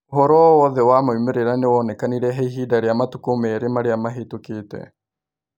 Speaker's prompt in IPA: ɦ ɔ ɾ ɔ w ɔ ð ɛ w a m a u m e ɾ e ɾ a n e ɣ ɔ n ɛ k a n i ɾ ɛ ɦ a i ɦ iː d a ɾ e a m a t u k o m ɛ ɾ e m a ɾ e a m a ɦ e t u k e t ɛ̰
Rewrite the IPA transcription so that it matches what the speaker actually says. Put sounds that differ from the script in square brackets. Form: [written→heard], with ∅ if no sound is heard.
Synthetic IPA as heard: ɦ ɔ ɾ ɔ w ɔ ð ɛ w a m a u m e ɾ e ɾ a n e [ɣ→w] ɔ n ɛ k a n i ɾ ɛ ɦ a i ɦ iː d a ɾ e a m a t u k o m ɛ ɾ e m a ɾ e a m a ɦ e t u k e t ɛ̰